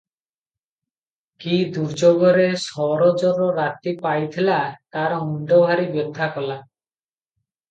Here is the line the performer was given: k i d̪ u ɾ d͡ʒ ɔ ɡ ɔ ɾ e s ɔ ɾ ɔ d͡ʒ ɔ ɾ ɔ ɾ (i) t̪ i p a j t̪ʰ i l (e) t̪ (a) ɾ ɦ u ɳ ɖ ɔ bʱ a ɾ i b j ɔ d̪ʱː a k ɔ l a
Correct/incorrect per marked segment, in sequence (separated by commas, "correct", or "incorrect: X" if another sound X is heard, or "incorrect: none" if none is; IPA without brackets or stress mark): incorrect: a, incorrect: a, correct